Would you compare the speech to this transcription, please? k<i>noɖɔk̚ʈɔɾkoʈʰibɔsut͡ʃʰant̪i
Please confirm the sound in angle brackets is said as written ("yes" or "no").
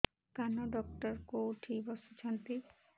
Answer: no